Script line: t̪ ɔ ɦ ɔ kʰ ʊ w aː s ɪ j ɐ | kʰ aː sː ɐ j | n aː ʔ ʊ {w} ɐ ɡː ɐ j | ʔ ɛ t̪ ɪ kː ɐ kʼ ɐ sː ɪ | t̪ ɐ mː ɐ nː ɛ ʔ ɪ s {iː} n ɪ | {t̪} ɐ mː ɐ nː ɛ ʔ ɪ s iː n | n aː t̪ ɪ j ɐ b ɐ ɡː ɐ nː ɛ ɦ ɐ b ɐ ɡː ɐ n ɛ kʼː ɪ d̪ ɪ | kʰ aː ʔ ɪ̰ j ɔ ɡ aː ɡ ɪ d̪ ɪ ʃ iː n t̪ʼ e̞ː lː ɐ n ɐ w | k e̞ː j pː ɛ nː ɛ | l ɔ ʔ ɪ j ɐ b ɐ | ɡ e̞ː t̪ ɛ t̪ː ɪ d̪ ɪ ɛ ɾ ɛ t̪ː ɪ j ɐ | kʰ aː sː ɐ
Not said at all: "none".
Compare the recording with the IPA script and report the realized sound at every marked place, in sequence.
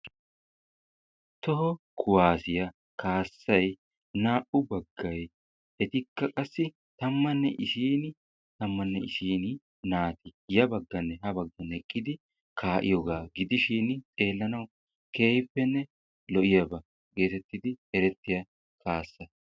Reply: b, iː, t̪

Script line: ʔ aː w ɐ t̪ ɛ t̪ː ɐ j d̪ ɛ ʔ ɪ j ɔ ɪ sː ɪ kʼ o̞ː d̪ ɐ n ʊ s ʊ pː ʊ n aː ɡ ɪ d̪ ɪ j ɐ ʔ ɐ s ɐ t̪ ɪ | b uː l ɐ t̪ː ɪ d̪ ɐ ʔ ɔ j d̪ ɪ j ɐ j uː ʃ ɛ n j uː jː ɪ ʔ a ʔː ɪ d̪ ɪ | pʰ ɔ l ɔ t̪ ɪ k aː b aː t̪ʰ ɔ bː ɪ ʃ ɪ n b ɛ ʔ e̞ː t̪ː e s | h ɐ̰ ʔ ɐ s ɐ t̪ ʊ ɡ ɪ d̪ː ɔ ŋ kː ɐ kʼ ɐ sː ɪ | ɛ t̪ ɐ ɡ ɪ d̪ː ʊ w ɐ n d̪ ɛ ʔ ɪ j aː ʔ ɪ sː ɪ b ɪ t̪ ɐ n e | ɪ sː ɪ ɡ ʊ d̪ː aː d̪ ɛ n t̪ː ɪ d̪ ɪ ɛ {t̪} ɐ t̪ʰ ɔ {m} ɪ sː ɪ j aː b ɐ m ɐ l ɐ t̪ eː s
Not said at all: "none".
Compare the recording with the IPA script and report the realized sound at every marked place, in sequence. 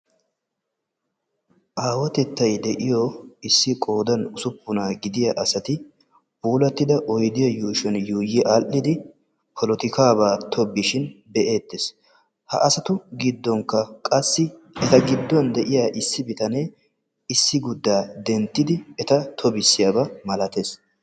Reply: t̪, b

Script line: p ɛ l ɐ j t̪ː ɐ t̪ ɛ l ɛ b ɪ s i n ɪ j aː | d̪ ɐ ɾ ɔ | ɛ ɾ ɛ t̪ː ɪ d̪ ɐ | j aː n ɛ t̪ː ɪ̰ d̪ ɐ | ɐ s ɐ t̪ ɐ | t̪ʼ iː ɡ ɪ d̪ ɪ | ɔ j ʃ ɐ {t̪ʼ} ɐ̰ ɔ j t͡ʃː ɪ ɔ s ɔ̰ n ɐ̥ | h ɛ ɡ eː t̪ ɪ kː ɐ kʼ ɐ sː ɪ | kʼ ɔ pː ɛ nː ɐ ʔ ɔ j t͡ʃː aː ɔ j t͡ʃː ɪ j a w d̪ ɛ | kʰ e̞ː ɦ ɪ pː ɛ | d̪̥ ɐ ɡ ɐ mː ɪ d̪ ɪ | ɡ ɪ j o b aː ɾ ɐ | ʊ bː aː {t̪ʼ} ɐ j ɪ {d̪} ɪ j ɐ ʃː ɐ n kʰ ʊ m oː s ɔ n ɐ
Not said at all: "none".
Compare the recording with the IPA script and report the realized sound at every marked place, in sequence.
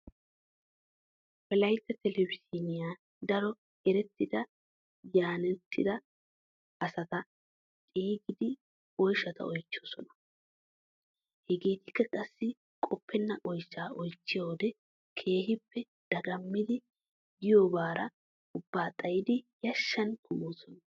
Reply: t̪, t̪ʼ, d̪

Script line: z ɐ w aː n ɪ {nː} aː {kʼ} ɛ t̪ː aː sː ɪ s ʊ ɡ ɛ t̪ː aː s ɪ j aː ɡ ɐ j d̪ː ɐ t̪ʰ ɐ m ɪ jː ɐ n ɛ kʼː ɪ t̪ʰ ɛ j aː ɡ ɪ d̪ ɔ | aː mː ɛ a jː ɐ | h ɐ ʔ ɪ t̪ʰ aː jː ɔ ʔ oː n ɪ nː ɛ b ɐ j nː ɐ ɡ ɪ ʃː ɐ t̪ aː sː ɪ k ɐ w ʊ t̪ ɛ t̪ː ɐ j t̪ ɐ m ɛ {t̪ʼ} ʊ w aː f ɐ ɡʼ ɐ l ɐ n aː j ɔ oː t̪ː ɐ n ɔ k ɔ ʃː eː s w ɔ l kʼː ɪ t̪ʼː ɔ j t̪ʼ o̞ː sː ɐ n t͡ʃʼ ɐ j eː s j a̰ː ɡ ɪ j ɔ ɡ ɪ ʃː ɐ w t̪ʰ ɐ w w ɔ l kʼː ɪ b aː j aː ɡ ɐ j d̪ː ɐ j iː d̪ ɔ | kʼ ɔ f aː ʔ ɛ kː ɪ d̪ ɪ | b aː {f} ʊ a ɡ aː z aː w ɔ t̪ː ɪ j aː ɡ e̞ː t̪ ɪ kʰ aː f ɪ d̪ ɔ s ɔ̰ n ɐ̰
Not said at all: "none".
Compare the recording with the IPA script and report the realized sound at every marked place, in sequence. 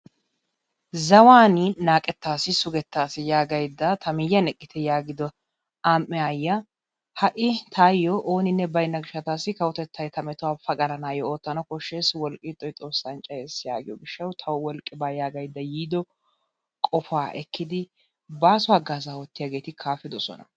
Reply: n, kʼ, t̪, s

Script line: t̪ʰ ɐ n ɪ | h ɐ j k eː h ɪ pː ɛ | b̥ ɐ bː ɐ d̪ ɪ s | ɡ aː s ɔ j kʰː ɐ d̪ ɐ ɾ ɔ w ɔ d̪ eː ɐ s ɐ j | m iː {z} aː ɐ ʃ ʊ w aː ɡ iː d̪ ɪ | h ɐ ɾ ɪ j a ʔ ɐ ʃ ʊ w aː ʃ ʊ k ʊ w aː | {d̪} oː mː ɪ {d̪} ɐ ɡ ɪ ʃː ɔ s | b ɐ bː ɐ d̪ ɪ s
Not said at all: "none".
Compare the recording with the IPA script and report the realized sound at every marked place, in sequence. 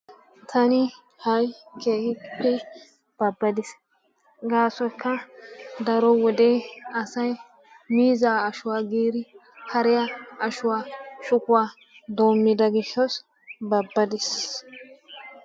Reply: z, d̪, d̪

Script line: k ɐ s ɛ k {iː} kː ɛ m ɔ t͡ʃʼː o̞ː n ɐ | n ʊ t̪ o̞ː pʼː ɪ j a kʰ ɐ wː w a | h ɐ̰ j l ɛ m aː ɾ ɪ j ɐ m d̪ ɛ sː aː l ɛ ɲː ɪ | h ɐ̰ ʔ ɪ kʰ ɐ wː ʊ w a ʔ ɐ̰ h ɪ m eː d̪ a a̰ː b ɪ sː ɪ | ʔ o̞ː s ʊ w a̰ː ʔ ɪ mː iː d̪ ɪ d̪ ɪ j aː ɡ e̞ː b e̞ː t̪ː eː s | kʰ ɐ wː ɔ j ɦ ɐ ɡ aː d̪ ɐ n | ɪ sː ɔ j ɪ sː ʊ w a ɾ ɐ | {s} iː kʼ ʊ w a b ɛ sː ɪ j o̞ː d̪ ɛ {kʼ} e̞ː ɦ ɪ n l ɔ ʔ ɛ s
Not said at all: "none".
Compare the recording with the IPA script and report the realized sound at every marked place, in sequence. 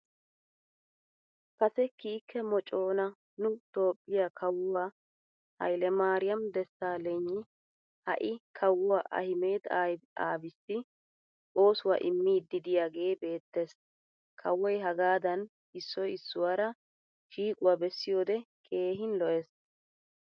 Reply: iː, ʃ, kʼ

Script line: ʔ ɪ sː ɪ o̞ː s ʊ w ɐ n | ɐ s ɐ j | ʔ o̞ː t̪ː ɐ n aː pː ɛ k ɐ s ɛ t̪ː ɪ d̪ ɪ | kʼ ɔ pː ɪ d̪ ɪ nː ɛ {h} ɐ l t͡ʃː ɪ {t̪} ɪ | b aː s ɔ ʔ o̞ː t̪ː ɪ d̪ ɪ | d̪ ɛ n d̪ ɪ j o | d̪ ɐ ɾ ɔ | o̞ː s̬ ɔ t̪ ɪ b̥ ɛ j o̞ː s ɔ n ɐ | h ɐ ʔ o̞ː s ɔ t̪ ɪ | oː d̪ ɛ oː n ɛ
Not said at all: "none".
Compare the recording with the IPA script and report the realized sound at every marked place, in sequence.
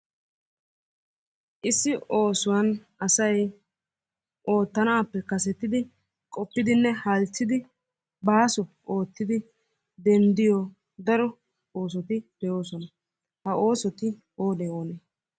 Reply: h, d̪

